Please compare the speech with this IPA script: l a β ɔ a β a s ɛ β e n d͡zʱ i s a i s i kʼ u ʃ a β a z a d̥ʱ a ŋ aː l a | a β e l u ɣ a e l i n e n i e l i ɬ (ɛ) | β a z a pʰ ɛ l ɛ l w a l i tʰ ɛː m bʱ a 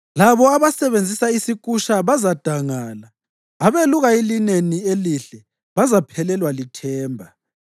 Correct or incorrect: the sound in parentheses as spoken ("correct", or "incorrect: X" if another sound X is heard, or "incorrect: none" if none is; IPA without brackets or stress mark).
correct